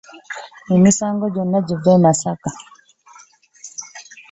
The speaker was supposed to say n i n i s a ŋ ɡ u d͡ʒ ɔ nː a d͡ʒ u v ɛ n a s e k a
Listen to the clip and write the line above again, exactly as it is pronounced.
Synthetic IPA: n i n i s a ŋ ɡ ɔ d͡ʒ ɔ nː a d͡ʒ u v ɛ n a s a k a

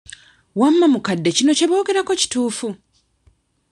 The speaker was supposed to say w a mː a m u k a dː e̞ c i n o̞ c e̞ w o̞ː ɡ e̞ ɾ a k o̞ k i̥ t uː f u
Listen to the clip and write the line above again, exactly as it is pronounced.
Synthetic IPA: w a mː a m u k a dː e̞ c i n o̞ c e̞ β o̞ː ɡ e̞ ɾ a k o̞ c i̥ t uː f u

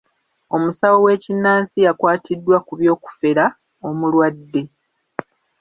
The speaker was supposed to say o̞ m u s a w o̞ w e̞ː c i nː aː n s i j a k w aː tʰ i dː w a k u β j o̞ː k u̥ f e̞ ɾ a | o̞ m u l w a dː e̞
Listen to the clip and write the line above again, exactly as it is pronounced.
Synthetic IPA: o̞ m u s a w o̞ w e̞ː c i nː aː n s i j a k w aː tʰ i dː w a k u β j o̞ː k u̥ f e̞ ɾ a | o̞ m u l w a dː e̞

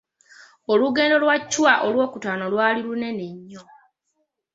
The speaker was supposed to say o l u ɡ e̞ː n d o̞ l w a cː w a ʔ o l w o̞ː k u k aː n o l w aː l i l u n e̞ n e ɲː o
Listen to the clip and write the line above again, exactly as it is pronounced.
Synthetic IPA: o l u ɡ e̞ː n d o̞ l w a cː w a ʔ o l w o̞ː k u t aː n o l w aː l i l u n e̞ n e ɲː o

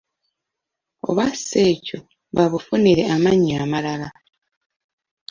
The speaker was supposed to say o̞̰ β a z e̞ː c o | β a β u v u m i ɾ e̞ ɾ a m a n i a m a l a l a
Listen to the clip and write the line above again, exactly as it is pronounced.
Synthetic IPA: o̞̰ β a s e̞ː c o | β a β u f u n i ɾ e̞ a m a ɲ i a m a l a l a

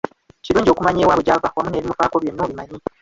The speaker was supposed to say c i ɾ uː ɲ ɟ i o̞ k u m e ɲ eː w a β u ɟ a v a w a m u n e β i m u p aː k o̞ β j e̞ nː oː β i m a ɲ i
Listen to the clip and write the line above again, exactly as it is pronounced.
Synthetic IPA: c i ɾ uː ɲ ɟ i o̞ k u m a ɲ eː w a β u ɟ a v a w a m u n e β i m u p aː k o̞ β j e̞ nː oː β i m a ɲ i

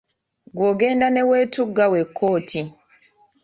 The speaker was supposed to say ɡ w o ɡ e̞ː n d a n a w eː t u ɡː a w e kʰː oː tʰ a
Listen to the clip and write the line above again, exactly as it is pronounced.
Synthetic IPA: ɡ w o ɡ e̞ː n d a n e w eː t u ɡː a w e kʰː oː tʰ i

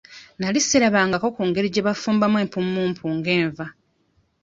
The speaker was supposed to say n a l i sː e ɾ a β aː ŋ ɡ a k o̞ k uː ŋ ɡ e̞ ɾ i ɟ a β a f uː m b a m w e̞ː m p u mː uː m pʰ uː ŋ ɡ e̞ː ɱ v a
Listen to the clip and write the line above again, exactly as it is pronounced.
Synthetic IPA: n a l i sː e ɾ a β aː ŋ ɡ a k o̞ k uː ŋ ɡ e̞ ɾ i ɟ e β a f uː m b a m w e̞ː m p u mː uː m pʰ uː ŋ ɡ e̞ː ɱ v a

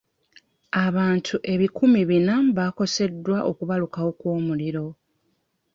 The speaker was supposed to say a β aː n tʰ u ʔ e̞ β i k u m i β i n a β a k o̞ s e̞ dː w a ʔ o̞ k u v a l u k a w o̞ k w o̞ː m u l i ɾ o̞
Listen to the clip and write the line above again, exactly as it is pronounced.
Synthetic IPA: a β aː n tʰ u ʔ e̞ β i k u m i β i n a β a k o̞ s e̞ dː w a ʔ o̞ k u β a l u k a w o̞ k w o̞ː m u l i ɾ o̞

